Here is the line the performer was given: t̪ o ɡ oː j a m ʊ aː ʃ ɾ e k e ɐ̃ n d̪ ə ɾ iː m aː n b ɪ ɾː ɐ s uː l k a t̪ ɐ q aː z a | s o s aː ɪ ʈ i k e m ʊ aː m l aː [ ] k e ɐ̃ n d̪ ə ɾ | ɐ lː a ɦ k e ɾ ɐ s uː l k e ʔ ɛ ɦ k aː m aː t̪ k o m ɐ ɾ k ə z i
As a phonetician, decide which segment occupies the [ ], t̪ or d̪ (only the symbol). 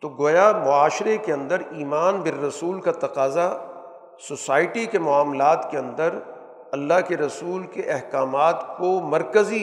t̪